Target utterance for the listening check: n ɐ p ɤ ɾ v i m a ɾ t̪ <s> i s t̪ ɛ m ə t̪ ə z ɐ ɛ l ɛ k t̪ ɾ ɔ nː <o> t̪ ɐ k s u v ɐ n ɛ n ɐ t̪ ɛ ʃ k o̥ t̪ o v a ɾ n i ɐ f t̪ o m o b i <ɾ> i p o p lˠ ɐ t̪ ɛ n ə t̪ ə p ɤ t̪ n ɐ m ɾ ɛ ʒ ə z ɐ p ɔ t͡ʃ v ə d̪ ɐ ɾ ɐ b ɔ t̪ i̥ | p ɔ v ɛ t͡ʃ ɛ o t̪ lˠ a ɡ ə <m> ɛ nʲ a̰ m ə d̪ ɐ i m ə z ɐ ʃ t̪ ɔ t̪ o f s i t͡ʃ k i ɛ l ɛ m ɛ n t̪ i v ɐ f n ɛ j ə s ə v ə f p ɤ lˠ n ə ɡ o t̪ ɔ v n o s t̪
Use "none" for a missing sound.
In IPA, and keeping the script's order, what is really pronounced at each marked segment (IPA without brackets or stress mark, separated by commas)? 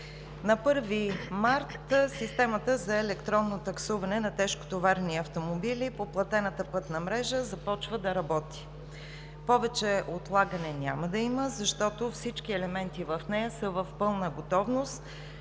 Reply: s, o, l, n